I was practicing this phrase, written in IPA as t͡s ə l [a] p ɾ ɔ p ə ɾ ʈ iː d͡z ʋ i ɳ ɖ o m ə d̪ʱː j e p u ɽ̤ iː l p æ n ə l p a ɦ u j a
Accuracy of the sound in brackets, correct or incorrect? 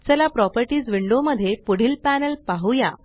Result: correct